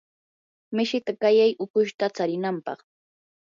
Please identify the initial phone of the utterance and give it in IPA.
m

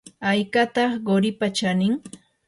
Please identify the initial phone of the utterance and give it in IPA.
a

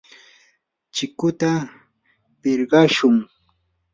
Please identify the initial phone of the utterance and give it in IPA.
t͡ʃ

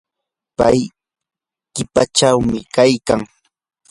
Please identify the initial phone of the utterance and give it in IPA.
p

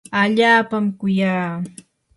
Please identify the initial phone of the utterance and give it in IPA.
a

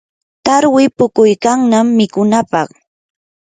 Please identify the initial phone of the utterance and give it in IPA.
t̪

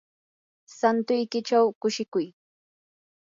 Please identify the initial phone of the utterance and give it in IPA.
s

